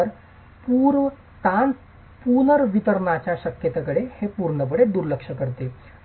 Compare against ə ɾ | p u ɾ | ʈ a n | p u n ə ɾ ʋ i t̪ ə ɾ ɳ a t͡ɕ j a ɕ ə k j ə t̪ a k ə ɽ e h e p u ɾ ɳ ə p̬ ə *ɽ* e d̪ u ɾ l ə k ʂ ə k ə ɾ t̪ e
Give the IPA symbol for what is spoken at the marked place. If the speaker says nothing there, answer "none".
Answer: ɽ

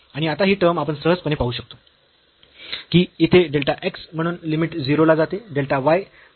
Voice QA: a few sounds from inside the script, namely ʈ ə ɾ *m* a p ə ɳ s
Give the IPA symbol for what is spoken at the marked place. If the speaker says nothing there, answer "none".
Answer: m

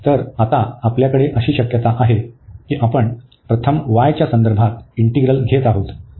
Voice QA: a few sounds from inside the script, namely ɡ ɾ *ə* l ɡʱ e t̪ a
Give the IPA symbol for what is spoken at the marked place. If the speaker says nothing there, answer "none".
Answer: ə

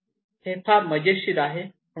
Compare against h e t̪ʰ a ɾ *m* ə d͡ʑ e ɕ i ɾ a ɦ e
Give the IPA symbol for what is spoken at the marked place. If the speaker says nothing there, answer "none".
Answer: m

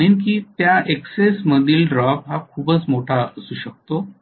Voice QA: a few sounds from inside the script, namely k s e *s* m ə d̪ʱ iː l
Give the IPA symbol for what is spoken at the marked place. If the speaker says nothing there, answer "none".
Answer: s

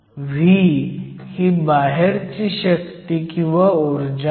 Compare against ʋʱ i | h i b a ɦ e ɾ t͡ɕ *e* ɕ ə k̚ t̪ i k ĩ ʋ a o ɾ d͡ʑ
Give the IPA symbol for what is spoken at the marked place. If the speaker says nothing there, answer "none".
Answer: i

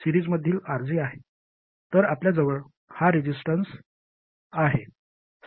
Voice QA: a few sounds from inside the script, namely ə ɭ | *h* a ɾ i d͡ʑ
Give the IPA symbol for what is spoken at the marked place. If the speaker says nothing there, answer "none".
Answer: h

